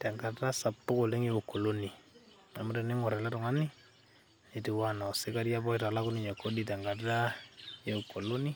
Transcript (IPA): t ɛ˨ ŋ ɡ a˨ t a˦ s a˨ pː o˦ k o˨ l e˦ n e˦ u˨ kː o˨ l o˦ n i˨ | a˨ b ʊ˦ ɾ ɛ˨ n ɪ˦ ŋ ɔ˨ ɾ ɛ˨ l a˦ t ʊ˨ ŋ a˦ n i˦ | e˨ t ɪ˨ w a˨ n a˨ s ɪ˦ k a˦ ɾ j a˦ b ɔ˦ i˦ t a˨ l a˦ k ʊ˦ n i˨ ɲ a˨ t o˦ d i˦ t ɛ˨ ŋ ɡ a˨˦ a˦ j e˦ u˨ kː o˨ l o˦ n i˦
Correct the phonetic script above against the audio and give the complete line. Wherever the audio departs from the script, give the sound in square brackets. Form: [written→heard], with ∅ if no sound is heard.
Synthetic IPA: t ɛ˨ ŋ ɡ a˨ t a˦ s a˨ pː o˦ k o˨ l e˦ [n→ŋ] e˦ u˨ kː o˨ l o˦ n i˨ | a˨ [b→m] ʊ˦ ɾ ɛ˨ n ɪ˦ ŋ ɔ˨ ɾ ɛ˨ l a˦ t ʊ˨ ŋ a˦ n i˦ | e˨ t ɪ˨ w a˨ n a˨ s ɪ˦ k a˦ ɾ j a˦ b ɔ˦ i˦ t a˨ l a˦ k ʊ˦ n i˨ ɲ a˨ [t→k] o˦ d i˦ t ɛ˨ ŋ ɡ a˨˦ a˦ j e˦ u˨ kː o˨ l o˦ n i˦